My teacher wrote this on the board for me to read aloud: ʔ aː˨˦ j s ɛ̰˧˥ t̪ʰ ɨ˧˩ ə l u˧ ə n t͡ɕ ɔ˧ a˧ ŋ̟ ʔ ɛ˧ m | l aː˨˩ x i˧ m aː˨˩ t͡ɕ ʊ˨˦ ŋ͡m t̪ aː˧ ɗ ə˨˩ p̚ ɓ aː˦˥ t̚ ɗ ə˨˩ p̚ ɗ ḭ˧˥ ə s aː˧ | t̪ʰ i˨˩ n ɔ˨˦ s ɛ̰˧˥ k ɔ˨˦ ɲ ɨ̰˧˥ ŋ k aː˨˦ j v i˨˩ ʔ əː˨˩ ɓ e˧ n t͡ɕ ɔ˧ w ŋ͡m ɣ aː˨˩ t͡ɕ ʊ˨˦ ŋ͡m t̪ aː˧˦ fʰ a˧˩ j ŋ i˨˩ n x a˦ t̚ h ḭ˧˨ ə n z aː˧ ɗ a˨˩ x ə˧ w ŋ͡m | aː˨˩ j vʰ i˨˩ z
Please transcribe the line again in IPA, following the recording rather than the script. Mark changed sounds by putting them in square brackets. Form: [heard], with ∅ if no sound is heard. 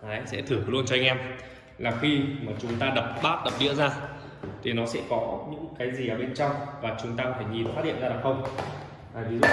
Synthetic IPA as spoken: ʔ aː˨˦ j s ɛ̰˧˥ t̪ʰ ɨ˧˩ ə l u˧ ə n t͡ɕ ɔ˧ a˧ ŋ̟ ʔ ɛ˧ m | l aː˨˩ x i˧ m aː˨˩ t͡ɕ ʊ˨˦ ŋ͡m t̪ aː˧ ɗ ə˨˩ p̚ ɓ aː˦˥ t̚ ɗ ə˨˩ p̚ ɗ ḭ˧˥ ə [z] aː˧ | t̪ʰ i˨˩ n ɔ˨˦ s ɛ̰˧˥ k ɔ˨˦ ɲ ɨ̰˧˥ ŋ k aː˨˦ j [z] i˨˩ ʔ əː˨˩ ɓ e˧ n t͡ɕ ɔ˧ w ŋ͡m [v] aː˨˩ t͡ɕ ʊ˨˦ ŋ͡m t̪ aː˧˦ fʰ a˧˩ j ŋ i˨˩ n [f] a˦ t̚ h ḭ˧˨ ə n z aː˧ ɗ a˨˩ x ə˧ w ŋ͡m | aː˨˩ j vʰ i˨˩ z